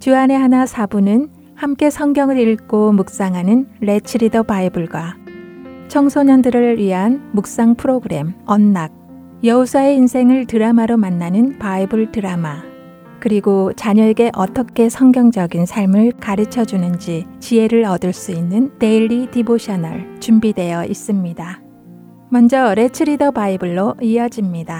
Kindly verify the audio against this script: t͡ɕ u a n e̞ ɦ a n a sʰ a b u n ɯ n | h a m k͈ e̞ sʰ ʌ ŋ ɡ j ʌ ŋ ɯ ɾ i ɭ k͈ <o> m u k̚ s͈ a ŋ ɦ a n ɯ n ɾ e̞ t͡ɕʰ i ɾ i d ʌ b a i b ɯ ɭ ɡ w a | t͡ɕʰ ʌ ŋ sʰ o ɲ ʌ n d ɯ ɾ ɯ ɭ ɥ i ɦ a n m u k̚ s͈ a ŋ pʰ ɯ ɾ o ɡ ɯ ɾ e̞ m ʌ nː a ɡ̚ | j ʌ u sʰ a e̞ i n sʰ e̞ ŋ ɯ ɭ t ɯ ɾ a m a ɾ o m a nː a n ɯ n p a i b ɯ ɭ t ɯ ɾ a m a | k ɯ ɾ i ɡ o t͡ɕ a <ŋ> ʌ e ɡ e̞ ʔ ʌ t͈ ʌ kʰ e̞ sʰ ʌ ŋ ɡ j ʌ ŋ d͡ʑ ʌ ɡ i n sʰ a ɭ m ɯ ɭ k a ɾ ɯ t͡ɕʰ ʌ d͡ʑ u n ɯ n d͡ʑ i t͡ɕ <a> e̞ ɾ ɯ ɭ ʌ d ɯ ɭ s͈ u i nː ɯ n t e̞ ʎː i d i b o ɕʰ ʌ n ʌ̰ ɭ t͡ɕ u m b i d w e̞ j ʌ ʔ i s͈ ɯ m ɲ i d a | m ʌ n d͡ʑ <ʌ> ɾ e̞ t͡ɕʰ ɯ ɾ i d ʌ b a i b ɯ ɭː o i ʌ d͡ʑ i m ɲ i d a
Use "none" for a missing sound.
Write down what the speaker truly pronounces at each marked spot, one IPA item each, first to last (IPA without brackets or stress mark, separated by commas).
o, ɲ, i, ʌ